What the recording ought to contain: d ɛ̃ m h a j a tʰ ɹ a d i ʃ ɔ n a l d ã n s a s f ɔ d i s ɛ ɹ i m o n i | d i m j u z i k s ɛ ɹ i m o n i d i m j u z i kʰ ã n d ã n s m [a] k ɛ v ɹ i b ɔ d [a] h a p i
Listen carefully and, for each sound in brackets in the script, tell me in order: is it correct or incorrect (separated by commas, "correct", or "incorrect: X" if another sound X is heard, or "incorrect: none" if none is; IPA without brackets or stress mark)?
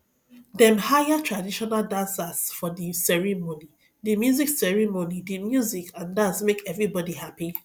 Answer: incorrect: e, incorrect: i